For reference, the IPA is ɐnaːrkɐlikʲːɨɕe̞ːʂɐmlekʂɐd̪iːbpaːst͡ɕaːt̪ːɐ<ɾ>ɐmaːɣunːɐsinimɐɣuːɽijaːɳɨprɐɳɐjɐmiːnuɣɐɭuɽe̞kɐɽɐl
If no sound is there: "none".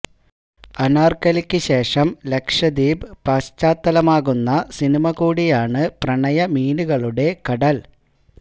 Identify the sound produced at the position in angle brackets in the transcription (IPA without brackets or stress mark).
l